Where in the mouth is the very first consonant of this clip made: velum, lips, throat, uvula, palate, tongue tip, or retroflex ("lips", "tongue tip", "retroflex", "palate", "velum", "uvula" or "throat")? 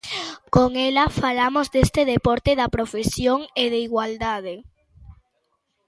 velum